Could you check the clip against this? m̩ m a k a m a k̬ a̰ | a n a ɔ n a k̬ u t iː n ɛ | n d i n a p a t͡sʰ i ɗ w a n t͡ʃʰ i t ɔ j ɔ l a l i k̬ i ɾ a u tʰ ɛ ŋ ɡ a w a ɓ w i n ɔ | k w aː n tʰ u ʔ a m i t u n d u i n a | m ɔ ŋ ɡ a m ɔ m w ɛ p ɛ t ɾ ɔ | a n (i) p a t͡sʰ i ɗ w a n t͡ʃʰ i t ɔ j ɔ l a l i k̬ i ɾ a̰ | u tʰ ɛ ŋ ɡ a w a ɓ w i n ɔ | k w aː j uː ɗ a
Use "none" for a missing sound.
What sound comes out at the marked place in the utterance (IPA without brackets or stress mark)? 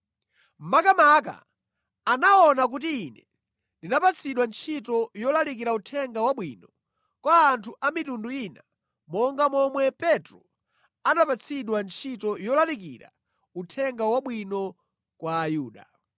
a